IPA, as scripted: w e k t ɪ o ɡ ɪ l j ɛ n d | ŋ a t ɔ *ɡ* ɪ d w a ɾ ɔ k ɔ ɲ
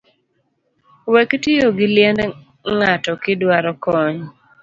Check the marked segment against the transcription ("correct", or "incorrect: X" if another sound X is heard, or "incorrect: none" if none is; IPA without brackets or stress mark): incorrect: k